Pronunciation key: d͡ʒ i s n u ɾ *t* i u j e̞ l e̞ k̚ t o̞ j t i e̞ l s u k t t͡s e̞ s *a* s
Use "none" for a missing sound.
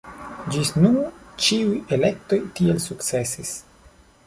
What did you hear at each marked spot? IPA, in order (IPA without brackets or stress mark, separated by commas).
t͡ʃ, i